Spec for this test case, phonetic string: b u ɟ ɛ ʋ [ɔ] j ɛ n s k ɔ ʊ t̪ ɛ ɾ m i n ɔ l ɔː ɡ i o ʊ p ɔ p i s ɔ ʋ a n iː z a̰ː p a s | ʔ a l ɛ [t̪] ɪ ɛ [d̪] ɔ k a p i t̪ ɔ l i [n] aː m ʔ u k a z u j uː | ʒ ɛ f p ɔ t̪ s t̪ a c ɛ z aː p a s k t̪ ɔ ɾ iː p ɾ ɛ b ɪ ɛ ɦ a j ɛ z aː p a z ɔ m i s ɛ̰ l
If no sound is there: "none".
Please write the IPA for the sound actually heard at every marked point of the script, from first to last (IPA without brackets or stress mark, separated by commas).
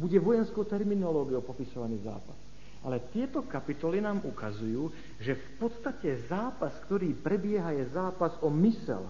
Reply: ɔ, t̪, t̪, n